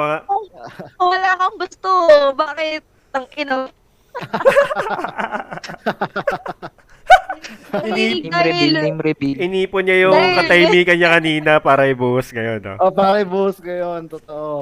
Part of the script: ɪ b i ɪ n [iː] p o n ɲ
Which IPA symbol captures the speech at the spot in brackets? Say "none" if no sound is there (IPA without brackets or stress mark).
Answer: iː